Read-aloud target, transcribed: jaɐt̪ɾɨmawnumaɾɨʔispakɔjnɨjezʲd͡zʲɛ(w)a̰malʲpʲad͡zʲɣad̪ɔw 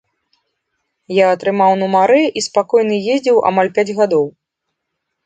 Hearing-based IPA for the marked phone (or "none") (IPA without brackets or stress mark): w